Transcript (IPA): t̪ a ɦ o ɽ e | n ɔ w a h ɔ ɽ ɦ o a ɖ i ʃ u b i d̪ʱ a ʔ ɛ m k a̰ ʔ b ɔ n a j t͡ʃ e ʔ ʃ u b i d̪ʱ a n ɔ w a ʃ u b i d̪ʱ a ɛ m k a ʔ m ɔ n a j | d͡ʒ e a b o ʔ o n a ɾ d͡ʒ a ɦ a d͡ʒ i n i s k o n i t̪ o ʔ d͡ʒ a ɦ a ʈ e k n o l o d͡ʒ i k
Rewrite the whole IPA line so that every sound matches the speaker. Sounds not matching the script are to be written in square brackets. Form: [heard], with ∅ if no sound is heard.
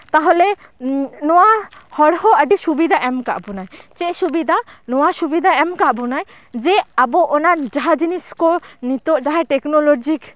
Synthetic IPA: t̪ a ɦ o [l] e | n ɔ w a h ɔ ɽ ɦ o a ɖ i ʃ u b i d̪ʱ a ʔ ɛ m k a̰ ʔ b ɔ n a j t͡ʃ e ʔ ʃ u b i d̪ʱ a n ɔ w a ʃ u b i d̪ʱ a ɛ m k a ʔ [b] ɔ n a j | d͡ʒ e a b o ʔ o n a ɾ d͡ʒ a ɦ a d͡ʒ i n i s k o n i t̪ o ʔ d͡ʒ a ɦ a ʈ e k n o l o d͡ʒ i k